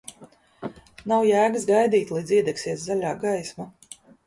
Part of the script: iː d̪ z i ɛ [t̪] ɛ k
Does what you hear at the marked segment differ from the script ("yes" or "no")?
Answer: yes